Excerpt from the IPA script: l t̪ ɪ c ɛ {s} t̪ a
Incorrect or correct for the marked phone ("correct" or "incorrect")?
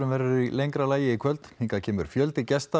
correct